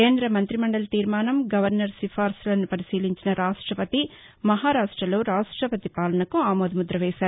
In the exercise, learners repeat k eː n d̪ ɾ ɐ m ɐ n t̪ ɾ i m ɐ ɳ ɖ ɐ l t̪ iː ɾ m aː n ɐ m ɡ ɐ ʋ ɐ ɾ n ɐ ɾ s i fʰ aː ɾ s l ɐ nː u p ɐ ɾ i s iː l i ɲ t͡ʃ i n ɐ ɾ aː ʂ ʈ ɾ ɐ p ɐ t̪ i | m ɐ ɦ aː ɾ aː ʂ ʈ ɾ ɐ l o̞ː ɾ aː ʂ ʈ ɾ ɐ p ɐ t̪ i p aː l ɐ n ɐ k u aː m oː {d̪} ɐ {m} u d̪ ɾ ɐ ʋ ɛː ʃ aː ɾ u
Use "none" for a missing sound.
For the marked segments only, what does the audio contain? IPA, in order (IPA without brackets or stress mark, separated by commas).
d̪, m